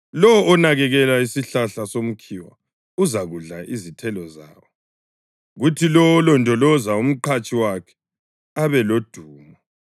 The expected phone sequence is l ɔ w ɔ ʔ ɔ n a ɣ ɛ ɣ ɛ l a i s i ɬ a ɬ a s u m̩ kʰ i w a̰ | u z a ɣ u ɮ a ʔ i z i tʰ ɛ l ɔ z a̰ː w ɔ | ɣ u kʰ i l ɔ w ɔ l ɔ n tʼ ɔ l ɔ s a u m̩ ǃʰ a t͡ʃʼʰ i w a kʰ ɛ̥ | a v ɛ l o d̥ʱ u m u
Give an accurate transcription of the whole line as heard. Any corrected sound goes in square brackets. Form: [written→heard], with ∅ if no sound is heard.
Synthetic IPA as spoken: l ɔ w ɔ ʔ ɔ n a ɣ ɛ ɣ ɛ l a i s i ɬ a ɬ a s [u→o] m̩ kʰ i w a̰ | u z a ɣ u ɮ a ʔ i z i tʰ ɛ l ɔ z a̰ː w ɔ | ɣ u [kʰ→tʰ] i l ɔ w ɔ l ɔ n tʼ ɔ l ɔ [s→z] a u m̩ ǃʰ a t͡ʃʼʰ i w a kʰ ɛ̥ | a [v→β] ɛ l o d̥ʱ [u→uː] m [u→ɔ]